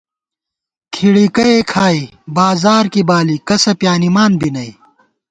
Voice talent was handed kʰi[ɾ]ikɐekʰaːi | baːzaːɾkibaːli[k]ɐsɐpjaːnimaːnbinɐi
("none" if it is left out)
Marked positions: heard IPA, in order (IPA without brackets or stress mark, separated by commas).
ɽ, k